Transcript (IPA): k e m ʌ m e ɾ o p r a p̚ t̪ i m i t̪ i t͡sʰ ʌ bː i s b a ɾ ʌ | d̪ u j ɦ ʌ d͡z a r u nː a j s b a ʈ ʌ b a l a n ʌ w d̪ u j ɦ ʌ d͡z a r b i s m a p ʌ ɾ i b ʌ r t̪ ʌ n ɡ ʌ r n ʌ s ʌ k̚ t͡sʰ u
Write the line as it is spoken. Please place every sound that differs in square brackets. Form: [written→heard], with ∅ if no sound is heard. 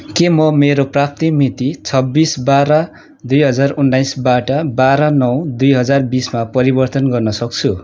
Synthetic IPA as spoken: k e m ʌ m e ɾ o p r a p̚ t̪ i m i t̪ i t͡sʰ ʌ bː i s b a ɾ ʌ | d̪ u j ɦ ʌ d͡z a r u nː a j s b a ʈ ʌ b a [l→ɾ] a n ʌ w d̪ u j ɦ ʌ d͡z a r b i s m a p ʌ ɾ i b ʌ r t̪ ʌ n ɡ ʌ r n ʌ s ʌ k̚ t͡sʰ u